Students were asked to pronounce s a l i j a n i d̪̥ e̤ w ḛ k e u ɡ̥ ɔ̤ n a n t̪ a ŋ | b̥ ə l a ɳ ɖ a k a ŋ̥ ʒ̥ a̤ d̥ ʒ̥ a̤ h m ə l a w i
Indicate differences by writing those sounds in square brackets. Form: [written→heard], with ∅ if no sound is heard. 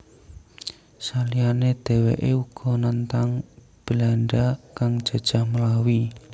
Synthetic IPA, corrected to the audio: s a l i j a n [i→e] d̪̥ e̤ w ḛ [k→ʔ] e u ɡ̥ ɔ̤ n a n t̪ a ŋ | b̥ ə l a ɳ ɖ a k a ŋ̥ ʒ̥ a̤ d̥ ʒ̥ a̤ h m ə l a w i